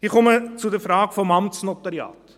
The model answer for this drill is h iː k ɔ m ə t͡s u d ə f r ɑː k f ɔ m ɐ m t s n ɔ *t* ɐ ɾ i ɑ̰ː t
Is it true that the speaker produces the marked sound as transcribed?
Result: yes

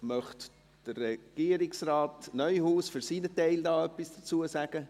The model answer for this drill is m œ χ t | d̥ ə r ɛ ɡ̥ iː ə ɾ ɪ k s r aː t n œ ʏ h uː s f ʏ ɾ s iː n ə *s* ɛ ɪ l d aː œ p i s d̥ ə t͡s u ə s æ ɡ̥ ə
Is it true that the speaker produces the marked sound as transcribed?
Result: no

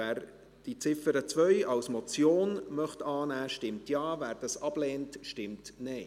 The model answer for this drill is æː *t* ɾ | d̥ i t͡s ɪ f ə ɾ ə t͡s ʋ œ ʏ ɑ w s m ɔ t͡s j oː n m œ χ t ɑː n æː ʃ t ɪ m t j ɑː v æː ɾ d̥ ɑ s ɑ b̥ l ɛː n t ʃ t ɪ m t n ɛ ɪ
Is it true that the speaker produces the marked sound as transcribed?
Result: no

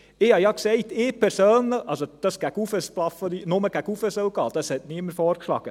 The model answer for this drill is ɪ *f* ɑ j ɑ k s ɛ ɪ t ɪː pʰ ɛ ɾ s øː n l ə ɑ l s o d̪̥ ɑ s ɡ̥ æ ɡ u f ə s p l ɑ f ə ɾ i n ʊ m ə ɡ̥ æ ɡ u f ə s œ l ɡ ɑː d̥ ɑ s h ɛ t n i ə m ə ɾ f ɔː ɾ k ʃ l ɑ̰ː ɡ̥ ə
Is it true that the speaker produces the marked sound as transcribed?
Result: no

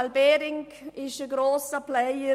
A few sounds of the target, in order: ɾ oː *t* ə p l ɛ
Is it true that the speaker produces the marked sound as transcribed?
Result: no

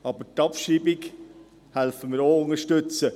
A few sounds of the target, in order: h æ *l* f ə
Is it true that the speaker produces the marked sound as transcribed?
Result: yes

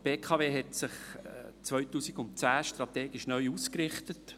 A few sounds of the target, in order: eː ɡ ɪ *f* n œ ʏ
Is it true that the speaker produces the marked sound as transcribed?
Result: no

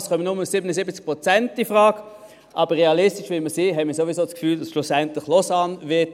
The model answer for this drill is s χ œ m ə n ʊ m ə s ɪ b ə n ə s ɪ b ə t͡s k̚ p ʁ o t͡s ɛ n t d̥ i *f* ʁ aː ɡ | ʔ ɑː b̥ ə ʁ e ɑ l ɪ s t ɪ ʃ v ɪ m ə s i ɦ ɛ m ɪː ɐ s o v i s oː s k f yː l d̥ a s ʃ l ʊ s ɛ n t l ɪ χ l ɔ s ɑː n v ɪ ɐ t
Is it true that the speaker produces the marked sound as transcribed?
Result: yes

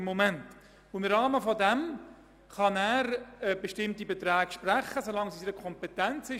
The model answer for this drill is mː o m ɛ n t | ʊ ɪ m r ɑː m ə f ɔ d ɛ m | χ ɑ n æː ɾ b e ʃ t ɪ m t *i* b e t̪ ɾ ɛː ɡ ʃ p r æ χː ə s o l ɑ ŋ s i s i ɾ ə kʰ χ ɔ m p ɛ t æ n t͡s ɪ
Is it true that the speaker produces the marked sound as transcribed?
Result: yes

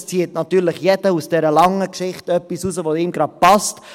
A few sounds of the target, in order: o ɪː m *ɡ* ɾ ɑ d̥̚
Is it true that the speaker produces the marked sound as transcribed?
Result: yes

